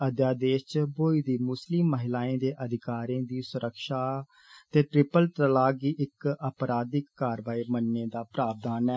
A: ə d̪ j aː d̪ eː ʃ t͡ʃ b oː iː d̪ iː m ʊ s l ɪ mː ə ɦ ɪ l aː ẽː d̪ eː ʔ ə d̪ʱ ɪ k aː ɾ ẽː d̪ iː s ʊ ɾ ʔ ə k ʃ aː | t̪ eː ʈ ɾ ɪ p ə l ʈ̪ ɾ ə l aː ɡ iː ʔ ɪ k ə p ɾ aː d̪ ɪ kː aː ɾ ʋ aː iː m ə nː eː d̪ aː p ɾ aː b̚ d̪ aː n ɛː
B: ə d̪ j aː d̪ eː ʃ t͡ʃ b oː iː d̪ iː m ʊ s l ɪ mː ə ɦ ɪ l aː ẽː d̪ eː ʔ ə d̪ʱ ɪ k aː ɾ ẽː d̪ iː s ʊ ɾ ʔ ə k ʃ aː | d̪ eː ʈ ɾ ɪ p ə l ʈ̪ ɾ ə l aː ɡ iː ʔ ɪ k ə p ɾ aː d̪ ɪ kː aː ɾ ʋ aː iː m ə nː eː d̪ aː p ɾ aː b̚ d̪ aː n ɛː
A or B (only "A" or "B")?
A